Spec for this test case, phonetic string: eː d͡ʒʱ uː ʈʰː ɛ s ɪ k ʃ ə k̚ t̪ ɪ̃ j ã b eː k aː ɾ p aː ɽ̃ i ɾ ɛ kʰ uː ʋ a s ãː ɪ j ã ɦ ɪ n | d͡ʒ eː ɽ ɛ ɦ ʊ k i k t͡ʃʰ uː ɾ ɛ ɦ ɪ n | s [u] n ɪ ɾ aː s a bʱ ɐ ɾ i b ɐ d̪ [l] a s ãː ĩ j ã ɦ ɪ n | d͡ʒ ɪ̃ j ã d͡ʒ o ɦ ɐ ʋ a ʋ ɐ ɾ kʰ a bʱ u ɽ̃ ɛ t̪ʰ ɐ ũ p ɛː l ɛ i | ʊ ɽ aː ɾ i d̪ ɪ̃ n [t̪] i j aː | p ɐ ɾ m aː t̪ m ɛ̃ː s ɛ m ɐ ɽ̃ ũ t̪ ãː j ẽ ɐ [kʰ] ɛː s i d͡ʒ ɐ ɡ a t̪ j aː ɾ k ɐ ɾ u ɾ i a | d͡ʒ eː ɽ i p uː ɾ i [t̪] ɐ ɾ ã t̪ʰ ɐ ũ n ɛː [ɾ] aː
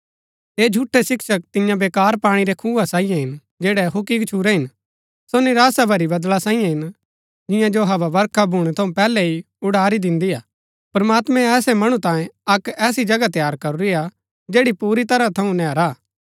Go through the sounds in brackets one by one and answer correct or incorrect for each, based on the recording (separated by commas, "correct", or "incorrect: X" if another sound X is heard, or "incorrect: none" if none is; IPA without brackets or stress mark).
incorrect: o, correct, incorrect: d̪, incorrect: k, correct, correct